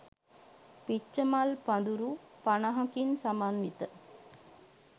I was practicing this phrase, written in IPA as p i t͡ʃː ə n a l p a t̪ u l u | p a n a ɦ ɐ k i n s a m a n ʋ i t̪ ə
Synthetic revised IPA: p i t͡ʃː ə m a l p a d̪ u ɾ u | p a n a ɦ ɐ k i n s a m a n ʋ i t̪ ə